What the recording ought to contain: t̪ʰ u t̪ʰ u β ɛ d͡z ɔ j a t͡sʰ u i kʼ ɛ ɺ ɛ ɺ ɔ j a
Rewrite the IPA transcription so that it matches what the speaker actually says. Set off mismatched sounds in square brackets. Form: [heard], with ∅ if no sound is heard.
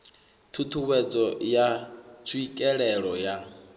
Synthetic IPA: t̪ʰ u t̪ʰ u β ɛ d͡z ɔ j a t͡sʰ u i kʼ ɛ ɺ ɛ ɺ ɔ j a